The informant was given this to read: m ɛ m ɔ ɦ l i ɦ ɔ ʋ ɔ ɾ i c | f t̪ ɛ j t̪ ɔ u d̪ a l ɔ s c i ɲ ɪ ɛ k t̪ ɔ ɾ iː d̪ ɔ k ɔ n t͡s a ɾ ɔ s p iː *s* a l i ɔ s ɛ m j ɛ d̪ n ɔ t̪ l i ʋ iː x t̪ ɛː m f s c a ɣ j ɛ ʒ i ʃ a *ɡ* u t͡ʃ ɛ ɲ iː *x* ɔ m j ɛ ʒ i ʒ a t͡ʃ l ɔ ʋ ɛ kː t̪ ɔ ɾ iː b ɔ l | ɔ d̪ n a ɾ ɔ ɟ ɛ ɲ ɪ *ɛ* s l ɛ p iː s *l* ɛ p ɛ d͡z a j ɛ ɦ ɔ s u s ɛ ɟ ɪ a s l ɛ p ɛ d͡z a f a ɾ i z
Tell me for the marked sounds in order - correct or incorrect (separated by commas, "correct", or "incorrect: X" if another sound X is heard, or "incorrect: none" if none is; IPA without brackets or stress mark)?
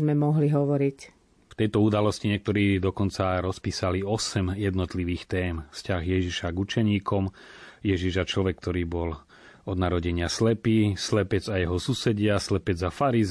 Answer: correct, correct, incorrect: k, incorrect: a, correct